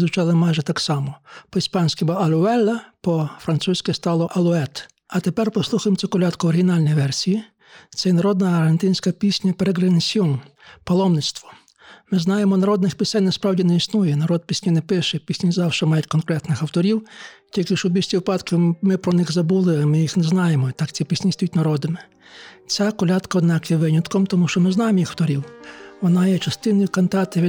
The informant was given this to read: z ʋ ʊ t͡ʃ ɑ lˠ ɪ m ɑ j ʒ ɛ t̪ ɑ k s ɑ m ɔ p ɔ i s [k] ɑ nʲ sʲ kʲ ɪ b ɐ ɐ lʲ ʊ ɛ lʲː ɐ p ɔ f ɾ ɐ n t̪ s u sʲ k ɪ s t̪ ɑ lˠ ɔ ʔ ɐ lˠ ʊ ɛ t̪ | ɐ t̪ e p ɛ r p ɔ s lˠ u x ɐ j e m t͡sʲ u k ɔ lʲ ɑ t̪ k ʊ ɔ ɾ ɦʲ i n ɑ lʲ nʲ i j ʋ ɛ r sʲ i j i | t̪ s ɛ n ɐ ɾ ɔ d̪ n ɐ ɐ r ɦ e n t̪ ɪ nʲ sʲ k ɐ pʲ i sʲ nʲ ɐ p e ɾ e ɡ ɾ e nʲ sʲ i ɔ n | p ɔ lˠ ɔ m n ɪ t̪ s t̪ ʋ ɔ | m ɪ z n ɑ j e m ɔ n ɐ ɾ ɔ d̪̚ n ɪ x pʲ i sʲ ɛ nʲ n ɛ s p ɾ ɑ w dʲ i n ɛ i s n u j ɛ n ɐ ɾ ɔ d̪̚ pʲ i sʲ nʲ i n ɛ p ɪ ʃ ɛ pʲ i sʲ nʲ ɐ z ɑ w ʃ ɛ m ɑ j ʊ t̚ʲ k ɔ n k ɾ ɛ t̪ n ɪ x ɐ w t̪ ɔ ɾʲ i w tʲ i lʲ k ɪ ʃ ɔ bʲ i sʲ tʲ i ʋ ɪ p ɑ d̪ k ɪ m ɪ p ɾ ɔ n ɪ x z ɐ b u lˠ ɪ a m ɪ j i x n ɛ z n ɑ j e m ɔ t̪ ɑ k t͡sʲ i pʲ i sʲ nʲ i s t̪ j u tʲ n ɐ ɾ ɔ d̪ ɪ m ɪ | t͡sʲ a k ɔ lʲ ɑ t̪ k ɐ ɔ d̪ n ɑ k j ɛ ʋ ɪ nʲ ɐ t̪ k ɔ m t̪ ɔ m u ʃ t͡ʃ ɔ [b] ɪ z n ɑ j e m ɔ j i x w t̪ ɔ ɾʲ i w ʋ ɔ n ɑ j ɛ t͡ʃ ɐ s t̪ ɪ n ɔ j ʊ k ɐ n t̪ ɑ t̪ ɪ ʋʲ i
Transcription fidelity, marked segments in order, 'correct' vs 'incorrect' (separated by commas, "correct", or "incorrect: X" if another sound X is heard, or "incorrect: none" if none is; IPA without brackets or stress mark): incorrect: p, incorrect: m